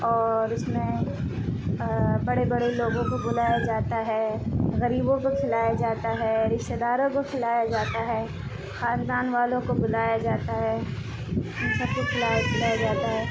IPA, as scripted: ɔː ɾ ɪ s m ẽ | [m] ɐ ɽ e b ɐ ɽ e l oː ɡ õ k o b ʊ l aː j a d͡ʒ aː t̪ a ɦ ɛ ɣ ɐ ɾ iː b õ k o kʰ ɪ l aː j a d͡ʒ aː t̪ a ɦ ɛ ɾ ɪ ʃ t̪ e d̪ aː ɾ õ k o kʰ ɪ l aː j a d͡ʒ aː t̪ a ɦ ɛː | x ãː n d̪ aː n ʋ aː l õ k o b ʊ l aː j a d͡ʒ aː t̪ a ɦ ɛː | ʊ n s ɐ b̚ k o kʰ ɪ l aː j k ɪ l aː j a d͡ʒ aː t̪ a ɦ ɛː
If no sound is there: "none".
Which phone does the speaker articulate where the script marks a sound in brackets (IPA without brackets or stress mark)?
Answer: b